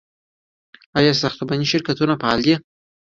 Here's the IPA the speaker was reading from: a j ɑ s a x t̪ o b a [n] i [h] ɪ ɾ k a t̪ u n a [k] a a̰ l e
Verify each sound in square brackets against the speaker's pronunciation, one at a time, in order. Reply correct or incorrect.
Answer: correct, incorrect: ʃ, incorrect: p

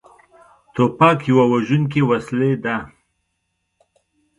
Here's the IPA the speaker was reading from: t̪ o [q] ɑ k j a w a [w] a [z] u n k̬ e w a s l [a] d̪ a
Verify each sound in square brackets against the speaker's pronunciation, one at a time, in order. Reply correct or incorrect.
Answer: incorrect: p, correct, incorrect: ʒ, incorrect: e

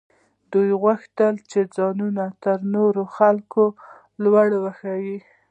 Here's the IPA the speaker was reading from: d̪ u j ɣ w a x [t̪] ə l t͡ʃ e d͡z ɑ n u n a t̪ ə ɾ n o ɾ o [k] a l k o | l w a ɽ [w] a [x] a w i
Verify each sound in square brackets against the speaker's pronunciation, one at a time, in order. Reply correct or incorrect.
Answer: correct, incorrect: x, correct, correct

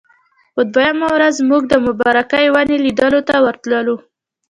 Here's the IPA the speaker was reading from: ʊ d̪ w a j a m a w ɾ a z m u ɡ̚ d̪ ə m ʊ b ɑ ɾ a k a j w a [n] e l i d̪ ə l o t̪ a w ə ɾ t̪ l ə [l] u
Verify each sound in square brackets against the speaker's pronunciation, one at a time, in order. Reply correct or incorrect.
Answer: correct, correct

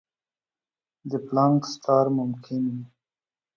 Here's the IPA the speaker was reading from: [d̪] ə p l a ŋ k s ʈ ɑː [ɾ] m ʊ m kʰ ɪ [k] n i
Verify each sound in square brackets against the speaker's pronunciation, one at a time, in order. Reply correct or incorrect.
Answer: correct, correct, incorrect: none

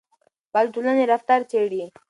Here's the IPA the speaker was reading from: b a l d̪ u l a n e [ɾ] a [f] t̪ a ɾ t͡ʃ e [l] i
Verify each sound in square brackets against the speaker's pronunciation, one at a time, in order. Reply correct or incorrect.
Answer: correct, correct, incorrect: ɽ

